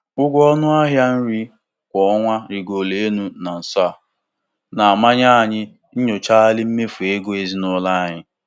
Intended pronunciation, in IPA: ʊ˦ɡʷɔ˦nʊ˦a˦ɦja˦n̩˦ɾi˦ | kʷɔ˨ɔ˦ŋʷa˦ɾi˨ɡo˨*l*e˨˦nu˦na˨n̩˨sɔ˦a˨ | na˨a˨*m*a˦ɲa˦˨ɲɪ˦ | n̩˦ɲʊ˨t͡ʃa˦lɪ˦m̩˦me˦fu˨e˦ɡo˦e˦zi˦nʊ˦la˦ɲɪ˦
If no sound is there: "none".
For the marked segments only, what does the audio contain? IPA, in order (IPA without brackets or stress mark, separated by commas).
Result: l, m